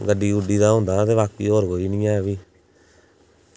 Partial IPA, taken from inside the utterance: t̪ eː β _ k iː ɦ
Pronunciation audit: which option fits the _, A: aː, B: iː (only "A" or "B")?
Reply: A